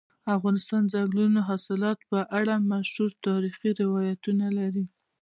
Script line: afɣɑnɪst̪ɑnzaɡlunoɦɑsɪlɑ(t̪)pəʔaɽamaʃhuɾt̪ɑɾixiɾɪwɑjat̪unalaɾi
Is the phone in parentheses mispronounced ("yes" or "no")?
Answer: no